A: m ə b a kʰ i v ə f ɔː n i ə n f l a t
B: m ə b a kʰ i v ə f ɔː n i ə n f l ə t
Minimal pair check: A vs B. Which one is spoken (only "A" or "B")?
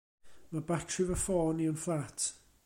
A